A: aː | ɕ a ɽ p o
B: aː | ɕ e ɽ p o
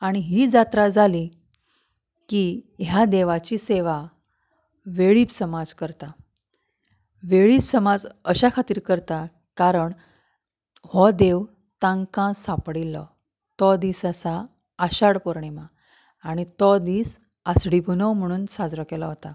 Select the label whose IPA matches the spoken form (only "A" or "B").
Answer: A